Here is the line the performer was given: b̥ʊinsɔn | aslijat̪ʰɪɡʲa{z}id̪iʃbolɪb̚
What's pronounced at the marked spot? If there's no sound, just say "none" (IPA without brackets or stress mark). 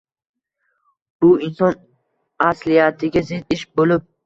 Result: z